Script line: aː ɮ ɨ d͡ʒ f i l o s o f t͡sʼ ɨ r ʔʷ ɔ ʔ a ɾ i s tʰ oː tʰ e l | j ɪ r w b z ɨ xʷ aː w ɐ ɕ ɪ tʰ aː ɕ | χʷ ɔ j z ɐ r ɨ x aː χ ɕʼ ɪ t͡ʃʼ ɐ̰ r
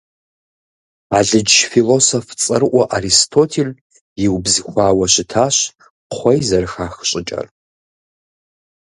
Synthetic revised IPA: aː ɮ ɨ d͡ʒ f i l o s o f t͡sʼ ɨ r ʔʷ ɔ ʔ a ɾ i s tʰ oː tʰ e l | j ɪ w b z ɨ xʷ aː w ɐ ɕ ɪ tʰ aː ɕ | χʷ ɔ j z ɐ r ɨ x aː x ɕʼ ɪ t͡ʃʼ ɐ̰ r